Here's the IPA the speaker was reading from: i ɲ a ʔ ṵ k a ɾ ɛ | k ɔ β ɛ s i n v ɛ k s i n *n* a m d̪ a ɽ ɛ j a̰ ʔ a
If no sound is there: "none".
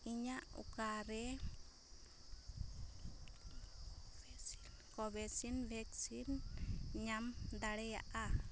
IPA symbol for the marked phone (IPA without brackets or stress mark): ɲ